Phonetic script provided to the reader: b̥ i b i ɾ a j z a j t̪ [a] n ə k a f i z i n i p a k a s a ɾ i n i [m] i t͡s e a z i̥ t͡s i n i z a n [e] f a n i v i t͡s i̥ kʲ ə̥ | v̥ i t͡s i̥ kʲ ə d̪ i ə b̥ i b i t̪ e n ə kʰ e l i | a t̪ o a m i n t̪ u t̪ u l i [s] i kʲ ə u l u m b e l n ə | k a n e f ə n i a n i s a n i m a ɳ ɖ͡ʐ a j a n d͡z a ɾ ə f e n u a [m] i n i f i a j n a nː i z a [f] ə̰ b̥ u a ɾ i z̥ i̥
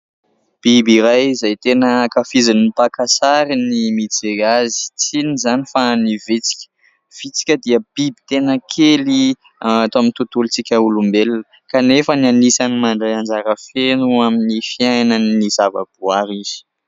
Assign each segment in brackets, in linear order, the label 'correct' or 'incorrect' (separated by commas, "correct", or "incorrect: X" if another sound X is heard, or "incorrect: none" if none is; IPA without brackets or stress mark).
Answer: incorrect: e, correct, incorrect: i, incorrect: t͡s, correct, incorrect: v